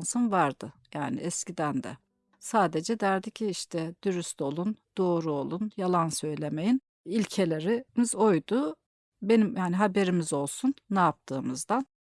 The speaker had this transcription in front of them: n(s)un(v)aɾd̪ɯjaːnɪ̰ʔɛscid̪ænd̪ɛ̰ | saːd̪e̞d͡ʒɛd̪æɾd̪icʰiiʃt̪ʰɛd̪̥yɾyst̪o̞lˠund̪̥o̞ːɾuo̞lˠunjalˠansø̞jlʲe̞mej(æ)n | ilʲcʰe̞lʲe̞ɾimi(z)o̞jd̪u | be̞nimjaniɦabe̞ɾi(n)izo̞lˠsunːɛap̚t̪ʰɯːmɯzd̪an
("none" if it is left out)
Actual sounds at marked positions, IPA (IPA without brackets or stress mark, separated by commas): s, v, i, z, m